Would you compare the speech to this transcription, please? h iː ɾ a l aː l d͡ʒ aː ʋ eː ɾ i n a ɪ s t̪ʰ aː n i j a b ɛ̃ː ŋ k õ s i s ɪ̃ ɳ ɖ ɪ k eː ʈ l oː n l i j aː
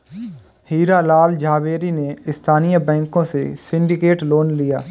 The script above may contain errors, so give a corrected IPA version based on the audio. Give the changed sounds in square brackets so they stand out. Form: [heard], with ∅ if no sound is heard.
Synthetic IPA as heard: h iː ɾ a l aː l d͡ʒ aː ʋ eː ɾ i n [e] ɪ s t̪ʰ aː n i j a b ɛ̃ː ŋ k õ s [e] s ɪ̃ ɳ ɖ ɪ k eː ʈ l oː n l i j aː